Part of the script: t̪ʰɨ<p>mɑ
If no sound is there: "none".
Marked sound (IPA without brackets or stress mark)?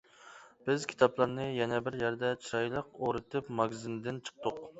p